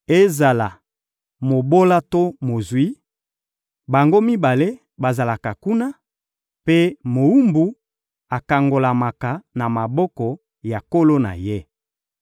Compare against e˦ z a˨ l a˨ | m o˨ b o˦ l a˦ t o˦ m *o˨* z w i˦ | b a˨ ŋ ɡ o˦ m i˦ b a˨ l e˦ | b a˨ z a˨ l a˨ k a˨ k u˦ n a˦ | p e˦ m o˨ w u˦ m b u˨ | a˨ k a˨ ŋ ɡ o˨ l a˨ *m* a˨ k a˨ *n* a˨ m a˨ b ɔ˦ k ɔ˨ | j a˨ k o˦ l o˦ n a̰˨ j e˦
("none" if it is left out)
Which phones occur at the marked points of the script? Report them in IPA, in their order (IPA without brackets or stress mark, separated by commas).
o˨, m, n